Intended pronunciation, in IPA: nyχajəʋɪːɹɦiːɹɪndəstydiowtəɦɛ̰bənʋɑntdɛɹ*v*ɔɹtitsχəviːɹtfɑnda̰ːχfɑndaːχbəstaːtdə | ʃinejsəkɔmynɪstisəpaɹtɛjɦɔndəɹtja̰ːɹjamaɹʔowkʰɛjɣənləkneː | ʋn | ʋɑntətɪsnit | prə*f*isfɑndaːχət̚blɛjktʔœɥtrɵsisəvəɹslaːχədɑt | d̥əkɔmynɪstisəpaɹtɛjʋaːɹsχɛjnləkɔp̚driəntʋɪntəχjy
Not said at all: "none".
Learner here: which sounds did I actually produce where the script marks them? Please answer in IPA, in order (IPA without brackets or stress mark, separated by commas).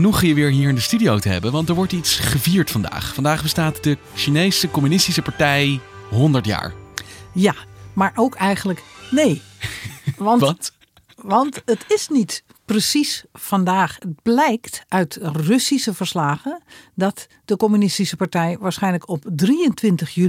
ʋ, s